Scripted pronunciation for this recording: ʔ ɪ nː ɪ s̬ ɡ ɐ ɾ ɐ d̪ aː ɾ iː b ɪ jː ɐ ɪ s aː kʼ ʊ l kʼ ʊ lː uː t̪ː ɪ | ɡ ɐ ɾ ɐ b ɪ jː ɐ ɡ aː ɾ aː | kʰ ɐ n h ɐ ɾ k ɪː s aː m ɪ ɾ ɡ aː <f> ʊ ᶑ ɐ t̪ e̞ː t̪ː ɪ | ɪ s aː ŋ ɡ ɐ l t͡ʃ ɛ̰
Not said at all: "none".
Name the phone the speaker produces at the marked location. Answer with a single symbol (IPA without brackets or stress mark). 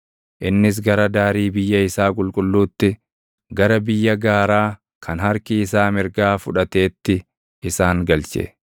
f